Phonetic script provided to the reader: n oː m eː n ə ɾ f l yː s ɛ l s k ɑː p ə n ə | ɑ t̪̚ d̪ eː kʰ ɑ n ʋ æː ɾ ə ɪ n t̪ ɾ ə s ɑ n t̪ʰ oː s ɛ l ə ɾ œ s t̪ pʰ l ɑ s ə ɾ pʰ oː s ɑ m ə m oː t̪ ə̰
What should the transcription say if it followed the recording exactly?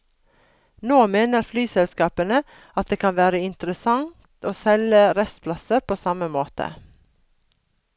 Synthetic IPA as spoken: n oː m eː n ə ɾ f l yː s ɛ l s k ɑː p ə n ə | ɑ t̪̚ d̪ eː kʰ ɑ n ʋ æː ɾ ə ɪ n t̪ ɾ ə s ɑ ŋ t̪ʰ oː s ɛ l ə ɾ ɛ s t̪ pʰ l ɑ s ə ɾ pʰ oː s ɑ m ə m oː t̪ ə̰